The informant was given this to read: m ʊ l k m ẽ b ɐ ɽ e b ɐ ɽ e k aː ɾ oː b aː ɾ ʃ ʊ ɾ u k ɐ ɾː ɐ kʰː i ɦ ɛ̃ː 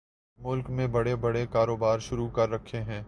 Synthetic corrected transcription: m ʊ l k m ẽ b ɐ ɽ e b ɐ ɽ e k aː ɾ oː b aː ɾ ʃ ʊ ɾ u k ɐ ɾː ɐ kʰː e ɦ ɛ̃ː